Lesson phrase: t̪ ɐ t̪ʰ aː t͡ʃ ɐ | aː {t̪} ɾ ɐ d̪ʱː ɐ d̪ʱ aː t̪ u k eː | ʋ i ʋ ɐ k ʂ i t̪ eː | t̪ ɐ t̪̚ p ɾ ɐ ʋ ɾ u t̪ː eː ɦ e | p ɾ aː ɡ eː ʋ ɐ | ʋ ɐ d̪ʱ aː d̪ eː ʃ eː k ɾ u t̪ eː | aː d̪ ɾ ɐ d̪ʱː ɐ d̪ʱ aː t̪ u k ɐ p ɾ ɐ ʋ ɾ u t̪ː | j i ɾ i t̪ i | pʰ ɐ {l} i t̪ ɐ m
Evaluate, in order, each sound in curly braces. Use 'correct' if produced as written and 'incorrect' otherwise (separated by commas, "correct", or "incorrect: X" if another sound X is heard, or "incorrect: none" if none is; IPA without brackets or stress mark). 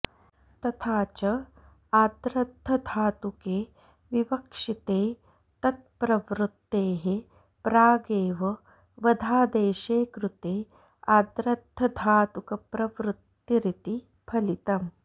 incorrect: d̪, correct